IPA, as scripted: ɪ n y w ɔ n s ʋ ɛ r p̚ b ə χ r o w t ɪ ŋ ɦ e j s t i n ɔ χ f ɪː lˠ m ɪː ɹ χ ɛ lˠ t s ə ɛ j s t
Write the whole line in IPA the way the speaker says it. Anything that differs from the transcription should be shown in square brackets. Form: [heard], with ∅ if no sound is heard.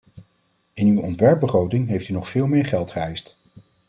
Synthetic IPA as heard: ɪ n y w ɔ n [t] ʋ ɛ [ɹ] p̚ b ə χ r o w t ɪ ŋ ɦ e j [f] t [y] n ɔ χ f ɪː lˠ m ɪː ɹ χ ɛ lˠ t [χ] ə ɛ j s t

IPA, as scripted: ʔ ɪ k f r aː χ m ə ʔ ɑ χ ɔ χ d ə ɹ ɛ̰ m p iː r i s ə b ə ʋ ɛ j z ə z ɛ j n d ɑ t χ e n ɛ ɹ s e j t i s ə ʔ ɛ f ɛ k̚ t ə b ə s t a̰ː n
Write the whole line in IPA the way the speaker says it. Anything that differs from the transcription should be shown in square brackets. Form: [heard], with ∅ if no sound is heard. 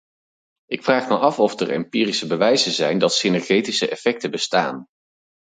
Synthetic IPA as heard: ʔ ɪ k f r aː χ m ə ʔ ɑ [f] ɔ [f] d ə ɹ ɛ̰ m p iː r i s ə b ə ʋ ɛ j z ə z ɛ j n d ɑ t [s] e n ɛ ɹ [χ] e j t i s ə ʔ ɛ f ɛ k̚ t ə b ə s t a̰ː n

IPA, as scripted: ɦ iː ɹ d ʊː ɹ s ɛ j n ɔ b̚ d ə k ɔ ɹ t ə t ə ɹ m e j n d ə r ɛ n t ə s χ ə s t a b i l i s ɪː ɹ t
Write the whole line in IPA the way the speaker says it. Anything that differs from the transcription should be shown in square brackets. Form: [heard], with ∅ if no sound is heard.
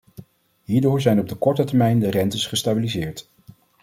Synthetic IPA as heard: ɦ iː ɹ d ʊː ɹ [z] ɛ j n ɔ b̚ d ə k ɔ ɹ t ə t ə ɹ m [ɛ] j n d ə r ɛ n t ə s χ ə s t a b i l i [z] ɪː ɹ t

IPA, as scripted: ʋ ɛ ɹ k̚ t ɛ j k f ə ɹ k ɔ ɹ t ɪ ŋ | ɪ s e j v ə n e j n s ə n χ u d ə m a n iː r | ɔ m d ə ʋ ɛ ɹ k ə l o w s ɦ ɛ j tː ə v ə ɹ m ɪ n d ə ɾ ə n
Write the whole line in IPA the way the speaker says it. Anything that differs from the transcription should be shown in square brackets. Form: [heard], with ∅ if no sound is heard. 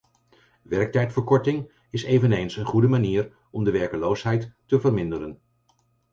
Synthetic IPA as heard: ʋ ɛ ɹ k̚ t ɛ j [t] f ə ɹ k ɔ ɹ t ɪ ŋ | ɪ s e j v ə n e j n s ə n χ u d ə m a n iː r | ɔ m d ə ʋ ɛ ɹ k ə l o w s ɦ ɛ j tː ə v ə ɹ m ɪ n d ə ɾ ə n

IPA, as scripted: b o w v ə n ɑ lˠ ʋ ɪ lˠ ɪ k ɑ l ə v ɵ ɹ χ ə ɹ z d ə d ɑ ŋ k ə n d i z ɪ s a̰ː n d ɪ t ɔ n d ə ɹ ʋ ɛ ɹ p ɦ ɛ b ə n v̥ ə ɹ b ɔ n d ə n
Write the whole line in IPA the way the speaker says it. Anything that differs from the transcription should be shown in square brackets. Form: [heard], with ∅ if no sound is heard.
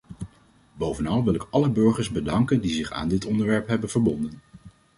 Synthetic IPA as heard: b o w v ə n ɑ lˠ ʋ ɪ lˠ ɪ k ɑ l ə [b] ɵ ɹ χ ə ɹ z [b] ə d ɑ ŋ k ə n d i z ɪ [χ] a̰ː n d ɪ t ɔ n d ə ɹ ʋ ɛ ɹ p ɦ ɛ b ə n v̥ ə ɹ b ɔ n d ə n

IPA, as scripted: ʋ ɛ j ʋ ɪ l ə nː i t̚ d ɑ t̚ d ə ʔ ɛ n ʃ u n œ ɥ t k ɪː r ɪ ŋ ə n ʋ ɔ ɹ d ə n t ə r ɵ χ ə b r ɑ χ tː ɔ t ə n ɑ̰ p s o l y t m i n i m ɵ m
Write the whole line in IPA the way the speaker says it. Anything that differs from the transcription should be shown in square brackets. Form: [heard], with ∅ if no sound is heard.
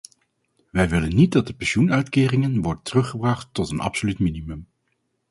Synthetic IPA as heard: ʋ ɛ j ʋ ɪ l ə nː i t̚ d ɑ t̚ d ə [p] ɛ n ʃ u n œ ɥ t k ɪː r ɪ ŋ ə n ʋ ɔ ɹ d ə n t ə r ɵ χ ə b r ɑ χ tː ɔ t ə n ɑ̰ p s o l y t m i n i m ɵ m

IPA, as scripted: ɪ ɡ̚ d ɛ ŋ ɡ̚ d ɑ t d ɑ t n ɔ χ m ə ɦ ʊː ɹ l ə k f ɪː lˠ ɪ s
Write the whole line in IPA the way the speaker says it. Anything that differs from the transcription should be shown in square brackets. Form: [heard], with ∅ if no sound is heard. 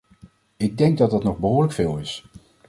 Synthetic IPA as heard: ɪ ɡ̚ d ɛ ŋ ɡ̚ d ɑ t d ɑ t n ɔ χ [b] ə ɦ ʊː ɹ l ə k f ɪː lˠ ɪ s

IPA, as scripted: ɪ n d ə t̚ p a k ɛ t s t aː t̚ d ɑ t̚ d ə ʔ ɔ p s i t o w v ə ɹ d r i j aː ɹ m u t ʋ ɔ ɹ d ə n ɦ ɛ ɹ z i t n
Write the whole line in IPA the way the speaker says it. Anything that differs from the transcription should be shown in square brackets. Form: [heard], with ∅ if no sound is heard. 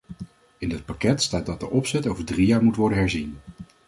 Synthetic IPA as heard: ɪ n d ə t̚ p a k ɛ t s t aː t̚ d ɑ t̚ d ə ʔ ɔ p s [ɛ] t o w v ə ɹ d r i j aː ɹ m u t ʋ ɔ ɹ d ə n ɦ ɛ ɹ z i [∅] n

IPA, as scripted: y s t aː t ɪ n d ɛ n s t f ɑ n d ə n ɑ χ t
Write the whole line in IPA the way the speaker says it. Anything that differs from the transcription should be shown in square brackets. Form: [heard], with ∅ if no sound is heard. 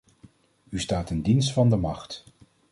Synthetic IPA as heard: y s t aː t ɪ n d [i] n s t f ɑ n d ə [m] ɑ χ t

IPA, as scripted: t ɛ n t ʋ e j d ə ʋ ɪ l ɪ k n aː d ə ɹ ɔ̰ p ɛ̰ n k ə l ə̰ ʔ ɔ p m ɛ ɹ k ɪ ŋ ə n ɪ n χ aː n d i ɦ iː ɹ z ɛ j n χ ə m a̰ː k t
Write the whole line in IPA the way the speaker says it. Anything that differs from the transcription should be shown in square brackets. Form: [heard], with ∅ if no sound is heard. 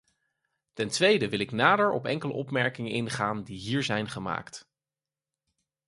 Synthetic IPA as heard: t ɛ n t ʋ e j d ə ʋ ɪ l ɪ k n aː d ə ɹ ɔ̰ p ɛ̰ [ŋ] k ə l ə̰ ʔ ɔ p m ɛ ɹ k ɪ ŋ ə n ɪ n χ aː n d i ɦ iː ɹ z ɛ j n χ ə m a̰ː k t

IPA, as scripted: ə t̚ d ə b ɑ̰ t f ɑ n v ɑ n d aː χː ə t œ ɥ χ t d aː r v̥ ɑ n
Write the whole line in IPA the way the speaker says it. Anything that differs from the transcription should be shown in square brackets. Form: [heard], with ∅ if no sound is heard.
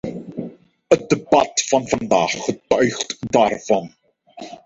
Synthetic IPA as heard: ə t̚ d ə b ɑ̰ t f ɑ n v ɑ n d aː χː ə t œ ɥ χ t d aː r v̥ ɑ n

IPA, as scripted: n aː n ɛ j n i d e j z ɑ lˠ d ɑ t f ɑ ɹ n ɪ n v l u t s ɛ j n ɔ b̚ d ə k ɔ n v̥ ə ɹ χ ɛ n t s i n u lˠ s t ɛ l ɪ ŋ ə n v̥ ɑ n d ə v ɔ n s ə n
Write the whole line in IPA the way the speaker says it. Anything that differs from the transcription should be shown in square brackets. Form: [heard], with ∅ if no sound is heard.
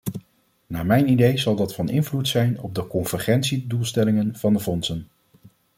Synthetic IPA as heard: n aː [m] ɛ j n i d e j z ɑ lˠ d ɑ t f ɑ [∅] n ɪ n v l u t s ɛ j n ɔ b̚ d ə k ɔ n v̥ ə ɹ χ ɛ n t s i [d] u lˠ s t ɛ l ɪ ŋ ə n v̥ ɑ n d ə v ɔ n s ə n

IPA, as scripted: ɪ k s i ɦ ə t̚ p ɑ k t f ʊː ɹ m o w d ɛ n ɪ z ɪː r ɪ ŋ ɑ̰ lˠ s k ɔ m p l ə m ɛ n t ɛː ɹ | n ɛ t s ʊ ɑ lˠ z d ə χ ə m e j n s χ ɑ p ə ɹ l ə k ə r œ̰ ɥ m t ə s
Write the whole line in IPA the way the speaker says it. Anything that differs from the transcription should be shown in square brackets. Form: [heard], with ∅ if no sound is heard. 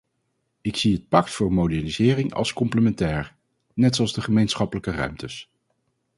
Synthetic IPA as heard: ɪ k s i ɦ ə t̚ p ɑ k t f ʊː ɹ m o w d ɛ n [i] z ɪː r ɪ ŋ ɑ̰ lˠ s k ɔ m p l ə m ɛ n t ɛː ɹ | n ɛ t s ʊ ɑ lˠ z d ə χ ə m e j n s χ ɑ p ə [∅] l ə k ə r œ̰ ɥ m t ə s

